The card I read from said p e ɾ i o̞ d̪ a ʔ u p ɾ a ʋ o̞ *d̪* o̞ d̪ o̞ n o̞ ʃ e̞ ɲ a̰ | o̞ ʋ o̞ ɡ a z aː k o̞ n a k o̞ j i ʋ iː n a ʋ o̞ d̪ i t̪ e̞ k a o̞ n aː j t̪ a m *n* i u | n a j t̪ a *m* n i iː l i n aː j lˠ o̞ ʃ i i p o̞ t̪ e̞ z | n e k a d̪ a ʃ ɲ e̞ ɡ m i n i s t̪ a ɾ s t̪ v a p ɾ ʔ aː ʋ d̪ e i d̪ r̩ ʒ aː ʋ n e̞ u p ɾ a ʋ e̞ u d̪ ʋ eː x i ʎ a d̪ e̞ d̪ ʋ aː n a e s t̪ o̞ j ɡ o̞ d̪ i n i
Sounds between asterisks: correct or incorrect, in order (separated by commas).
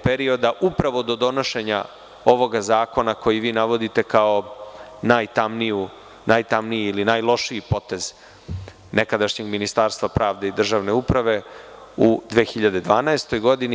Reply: correct, correct, correct